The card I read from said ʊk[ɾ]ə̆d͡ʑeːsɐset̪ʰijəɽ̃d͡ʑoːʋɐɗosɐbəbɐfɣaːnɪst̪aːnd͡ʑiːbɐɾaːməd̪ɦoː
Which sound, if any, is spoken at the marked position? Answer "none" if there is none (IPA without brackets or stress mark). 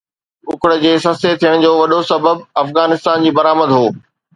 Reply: ɽ